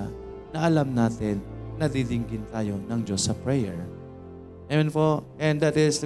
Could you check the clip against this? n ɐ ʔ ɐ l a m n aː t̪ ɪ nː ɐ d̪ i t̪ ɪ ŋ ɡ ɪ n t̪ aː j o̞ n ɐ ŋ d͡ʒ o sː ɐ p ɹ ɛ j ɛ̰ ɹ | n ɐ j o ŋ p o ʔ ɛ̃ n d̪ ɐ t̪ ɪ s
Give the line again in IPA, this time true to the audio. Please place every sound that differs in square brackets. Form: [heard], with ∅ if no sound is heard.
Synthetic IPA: n ɐ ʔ ɐ l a m n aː t̪ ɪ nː ɐ d̪ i [d̪] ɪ ŋ ɡ ɪ n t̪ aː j o̞ n ɐ ŋ d͡ʒ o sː ɐ p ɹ ɛ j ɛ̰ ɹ | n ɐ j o [n] p o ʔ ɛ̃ n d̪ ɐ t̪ ɪ s